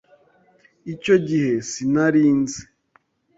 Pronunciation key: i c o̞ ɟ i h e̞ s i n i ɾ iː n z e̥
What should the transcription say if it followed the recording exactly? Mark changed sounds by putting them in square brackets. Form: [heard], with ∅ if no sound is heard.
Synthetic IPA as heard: i c o̞ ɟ i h e̞ s i n [a] ɾ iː n z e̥